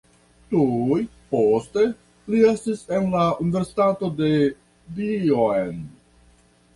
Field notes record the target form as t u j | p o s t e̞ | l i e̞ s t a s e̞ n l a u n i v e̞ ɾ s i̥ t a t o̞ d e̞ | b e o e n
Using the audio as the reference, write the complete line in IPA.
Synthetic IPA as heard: t u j | p o s t e̞ | l i e̞ s t i s e̞ n l a u n i v e̞ ɾ s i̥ t a t o̞ d e̞ | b i o e n